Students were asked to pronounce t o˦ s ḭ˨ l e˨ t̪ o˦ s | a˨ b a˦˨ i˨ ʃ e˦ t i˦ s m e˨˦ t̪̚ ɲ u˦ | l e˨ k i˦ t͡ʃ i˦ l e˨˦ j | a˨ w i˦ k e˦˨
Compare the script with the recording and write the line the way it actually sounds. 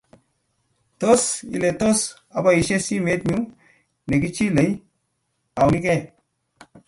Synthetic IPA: t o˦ s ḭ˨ l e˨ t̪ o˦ s | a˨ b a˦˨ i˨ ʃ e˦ s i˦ m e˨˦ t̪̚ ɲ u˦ | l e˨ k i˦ t͡ʃ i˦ l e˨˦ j | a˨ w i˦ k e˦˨

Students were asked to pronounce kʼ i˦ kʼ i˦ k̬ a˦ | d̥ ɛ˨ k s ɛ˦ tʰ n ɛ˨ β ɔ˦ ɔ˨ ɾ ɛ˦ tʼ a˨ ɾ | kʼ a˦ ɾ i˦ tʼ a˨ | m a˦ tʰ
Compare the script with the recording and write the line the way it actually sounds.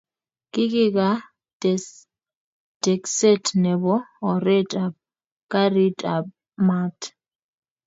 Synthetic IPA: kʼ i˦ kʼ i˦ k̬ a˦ | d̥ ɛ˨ k s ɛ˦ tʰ n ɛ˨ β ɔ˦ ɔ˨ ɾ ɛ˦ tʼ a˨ | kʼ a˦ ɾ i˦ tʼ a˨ | m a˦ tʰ

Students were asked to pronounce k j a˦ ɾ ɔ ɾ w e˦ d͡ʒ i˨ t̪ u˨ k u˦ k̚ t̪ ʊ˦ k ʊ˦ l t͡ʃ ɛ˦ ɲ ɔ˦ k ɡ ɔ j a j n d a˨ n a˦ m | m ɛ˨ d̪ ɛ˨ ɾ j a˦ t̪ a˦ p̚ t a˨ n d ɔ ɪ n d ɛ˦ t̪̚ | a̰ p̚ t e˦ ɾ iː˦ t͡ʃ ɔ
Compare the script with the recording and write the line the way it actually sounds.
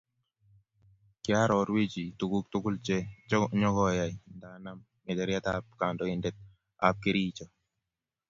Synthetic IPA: k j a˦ ɾ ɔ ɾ w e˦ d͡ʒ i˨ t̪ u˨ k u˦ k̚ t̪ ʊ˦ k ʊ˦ l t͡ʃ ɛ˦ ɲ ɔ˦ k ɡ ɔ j a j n d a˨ n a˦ m | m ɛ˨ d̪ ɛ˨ ɾ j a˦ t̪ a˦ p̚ k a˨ n d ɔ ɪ n d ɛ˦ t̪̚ | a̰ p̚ k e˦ ɾ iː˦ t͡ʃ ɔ

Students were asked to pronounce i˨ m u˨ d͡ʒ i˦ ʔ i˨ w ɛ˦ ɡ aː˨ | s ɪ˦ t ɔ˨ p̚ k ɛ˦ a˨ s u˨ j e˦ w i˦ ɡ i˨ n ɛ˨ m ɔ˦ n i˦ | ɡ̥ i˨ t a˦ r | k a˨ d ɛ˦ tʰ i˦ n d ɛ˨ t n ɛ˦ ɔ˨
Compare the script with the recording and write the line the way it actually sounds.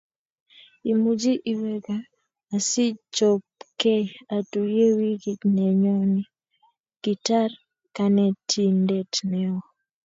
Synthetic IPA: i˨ m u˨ d͡ʒ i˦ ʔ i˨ w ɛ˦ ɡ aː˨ | s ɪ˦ t͡ʃ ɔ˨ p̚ k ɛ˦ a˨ t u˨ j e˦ w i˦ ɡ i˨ n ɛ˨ ɲ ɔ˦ n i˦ | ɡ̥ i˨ t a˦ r | k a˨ n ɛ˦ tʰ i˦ n d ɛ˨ t n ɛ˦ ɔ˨

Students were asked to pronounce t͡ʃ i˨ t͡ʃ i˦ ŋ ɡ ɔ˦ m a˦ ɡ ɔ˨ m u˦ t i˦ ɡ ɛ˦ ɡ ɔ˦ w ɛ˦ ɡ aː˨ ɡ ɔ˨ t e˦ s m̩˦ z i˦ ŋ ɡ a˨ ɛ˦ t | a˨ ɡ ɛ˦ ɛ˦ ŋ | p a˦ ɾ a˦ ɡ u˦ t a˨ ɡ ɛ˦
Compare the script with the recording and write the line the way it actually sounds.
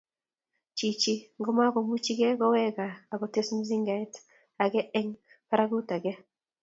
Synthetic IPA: t͡ʃ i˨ t͡ʃ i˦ ŋ ɡ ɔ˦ m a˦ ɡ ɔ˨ m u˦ t͡ʃ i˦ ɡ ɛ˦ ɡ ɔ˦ w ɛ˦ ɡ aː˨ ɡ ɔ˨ t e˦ s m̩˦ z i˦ ŋ ɡ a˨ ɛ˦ t | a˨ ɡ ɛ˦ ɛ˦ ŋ | p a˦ ɾ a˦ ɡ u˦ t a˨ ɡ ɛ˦

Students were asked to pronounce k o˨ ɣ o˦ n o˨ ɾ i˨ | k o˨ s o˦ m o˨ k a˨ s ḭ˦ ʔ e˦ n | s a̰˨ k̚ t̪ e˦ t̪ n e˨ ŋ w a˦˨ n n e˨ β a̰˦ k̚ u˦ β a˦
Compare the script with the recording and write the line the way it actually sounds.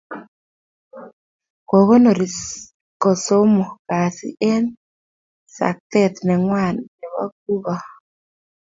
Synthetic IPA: k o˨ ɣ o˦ n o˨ ɾ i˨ | k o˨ s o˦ m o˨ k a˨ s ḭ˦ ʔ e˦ n | s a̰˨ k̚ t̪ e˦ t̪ n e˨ ŋ w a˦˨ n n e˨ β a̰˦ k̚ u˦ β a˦

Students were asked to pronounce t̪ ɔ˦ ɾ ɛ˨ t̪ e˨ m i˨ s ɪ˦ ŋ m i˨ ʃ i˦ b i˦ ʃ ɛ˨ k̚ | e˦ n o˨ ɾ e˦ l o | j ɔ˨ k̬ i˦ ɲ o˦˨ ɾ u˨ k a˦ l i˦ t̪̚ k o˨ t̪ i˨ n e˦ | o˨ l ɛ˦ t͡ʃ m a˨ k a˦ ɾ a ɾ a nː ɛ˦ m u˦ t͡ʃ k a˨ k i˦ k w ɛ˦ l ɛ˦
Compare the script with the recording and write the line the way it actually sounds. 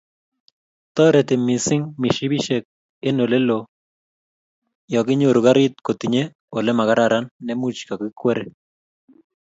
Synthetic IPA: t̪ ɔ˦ ɾ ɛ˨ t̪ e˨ m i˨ s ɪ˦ ŋ m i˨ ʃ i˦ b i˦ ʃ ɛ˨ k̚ | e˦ n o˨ l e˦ l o | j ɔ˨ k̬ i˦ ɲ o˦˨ ɾ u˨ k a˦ ɾ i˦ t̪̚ k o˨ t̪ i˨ ɲ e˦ | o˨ l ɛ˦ m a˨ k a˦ ɾ a ɾ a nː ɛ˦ m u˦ t͡ʃ k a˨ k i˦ k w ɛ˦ ɾ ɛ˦

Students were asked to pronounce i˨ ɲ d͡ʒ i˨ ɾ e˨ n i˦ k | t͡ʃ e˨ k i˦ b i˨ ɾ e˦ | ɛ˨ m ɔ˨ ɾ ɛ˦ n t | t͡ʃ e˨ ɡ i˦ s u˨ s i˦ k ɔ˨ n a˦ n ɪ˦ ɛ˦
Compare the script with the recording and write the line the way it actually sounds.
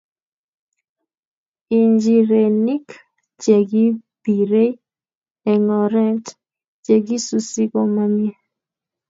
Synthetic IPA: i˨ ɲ d͡ʒ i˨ ɾ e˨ n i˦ k | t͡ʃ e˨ ɡ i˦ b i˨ ɾ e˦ | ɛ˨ ŋ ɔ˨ ɾ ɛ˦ n t | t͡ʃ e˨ ɡ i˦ s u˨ s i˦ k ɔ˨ m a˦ m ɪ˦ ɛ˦

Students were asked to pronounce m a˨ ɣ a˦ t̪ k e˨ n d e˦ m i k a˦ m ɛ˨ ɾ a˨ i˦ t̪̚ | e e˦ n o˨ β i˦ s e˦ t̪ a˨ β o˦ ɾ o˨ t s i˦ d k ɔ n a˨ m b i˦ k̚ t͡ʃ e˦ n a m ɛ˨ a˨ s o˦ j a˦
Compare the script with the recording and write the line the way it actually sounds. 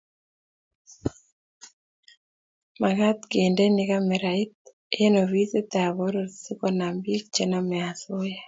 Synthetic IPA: m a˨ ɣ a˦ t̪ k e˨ n d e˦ n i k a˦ m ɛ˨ ɾ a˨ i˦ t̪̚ | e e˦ n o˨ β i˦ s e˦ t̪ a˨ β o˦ ɾ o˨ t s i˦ k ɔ n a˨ m b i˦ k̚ t͡ʃ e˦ n a m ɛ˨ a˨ s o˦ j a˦

